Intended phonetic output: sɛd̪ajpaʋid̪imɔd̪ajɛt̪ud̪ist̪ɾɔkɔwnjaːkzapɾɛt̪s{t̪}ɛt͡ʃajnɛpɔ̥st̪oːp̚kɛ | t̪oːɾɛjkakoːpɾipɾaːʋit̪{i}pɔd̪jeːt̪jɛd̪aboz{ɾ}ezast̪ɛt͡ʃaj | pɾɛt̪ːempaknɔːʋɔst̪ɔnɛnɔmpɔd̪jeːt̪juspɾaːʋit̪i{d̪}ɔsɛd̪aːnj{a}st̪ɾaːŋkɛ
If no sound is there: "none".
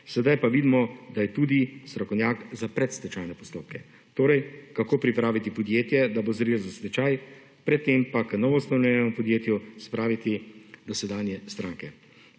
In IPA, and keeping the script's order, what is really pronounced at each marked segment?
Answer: t̪, i, ɾ, d̪, ɛ

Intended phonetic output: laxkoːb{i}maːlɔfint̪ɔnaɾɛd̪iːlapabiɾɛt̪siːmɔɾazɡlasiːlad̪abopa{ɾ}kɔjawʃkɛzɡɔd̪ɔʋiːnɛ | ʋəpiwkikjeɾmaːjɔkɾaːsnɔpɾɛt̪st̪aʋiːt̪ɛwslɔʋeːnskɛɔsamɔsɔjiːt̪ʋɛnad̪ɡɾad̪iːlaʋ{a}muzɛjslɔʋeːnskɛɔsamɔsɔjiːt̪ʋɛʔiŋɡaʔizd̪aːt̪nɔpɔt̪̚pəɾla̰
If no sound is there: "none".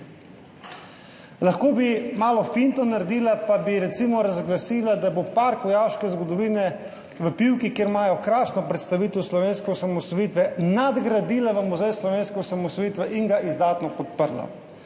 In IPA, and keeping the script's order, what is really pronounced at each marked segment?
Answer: i, ɾ, ə

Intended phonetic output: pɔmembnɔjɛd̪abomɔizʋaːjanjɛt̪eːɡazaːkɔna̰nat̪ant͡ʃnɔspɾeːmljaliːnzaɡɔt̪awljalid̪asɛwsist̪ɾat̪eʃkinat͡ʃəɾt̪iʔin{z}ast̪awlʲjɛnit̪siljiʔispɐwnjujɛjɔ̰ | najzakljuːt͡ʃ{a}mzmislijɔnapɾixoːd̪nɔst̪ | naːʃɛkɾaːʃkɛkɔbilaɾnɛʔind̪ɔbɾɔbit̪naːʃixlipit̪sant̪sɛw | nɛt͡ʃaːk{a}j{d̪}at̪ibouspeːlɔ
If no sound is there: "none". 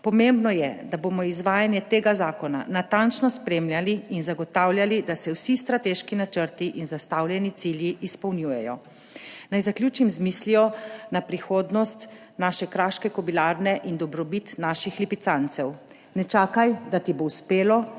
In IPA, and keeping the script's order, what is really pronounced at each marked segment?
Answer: z, i, a, d̪

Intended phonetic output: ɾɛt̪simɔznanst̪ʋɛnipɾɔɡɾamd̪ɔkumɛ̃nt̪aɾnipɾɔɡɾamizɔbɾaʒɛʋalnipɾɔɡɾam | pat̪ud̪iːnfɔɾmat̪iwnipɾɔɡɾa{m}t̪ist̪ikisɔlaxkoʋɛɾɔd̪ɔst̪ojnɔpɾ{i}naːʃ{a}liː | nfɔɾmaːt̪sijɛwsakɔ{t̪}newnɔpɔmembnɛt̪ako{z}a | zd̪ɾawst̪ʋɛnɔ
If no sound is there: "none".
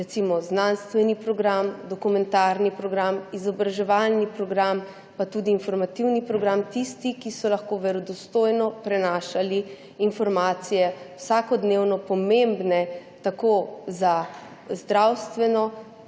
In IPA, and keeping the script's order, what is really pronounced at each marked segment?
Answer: m, ɛ, a, d̪, z

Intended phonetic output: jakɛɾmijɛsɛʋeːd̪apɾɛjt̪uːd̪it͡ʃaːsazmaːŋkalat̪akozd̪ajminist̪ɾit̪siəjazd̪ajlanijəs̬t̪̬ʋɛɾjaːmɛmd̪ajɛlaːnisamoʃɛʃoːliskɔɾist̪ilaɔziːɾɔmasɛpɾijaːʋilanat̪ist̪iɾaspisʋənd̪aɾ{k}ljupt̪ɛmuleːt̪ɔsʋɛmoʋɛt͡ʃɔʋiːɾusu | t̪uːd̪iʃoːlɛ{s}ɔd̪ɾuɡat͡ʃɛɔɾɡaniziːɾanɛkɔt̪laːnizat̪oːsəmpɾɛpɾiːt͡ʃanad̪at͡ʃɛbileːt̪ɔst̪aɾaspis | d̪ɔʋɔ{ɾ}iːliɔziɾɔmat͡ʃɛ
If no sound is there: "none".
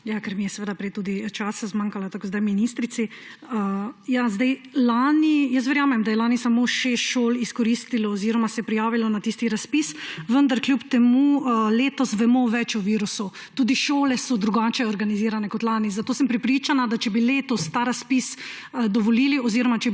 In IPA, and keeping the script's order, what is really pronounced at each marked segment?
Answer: k, s, l

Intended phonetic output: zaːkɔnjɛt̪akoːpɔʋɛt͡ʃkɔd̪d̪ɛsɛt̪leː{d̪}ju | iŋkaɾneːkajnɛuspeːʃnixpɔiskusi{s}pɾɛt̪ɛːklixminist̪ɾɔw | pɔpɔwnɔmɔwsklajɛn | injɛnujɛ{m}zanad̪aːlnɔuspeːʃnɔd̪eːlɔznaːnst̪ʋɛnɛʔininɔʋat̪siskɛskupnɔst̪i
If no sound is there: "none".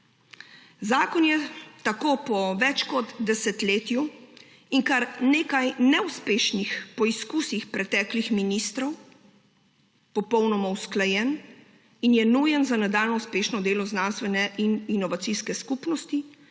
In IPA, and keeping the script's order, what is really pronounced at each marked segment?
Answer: t̪, x, n

